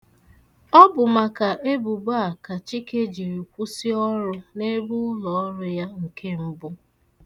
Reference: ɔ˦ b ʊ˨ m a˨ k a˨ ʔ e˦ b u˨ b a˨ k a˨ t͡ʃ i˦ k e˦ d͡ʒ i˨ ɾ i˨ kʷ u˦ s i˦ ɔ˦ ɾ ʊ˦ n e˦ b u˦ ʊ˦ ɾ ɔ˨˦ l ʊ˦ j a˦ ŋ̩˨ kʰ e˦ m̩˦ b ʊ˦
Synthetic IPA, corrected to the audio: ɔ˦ b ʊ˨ m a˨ k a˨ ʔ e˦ b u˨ b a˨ k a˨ t͡ʃ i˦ k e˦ d͡ʒ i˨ ɾ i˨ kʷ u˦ s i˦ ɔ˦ ɾ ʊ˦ n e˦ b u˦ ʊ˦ l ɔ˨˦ ɾ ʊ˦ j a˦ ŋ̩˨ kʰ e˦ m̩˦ b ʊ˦